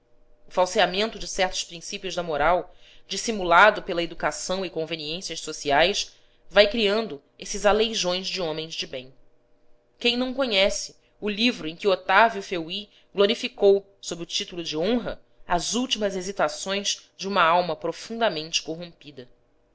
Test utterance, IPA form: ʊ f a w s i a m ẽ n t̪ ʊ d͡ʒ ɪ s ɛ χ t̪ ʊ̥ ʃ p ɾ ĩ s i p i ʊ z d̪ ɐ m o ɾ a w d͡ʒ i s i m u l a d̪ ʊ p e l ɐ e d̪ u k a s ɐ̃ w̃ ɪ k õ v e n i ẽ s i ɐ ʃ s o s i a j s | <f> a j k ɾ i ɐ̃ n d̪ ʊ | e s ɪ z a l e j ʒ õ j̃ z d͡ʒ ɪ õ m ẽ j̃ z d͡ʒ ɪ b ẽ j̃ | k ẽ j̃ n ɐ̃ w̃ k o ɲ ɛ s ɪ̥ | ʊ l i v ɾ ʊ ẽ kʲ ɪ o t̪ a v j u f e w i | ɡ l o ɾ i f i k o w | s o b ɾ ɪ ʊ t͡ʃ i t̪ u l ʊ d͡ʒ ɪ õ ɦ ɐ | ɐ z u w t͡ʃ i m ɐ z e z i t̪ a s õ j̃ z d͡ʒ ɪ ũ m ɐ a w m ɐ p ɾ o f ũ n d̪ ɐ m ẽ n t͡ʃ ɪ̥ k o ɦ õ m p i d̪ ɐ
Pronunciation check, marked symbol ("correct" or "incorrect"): incorrect